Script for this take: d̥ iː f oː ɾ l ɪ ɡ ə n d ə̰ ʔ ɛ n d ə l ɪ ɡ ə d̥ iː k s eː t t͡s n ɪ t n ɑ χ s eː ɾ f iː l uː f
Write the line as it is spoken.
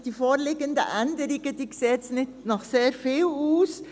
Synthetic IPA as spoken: d̥ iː f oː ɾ l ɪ ɡ ə n d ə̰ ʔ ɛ n d ə ɾ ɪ ɡ ə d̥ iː k s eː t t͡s n ɪ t n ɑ χ s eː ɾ f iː l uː s